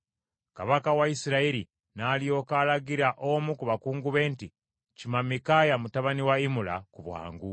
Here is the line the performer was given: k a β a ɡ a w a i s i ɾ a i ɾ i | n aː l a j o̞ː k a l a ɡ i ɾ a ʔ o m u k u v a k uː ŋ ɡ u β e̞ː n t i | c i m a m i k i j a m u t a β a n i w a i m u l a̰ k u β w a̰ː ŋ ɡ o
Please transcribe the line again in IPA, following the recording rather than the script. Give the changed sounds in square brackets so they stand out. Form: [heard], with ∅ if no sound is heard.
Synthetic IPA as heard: k a β a [k] a w a i s i ɾ a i ɾ i | n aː l [i] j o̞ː k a l a ɡ i ɾ a ʔ o m u k u [β] a k uː ŋ ɡ u β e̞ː n t i | c i m a m i k [a] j a m u t a β a n i w a i m u l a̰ k u β w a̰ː ŋ ɡ [u]